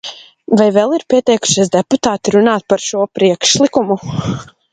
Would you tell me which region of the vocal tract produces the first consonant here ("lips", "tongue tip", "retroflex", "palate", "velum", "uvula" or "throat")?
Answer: lips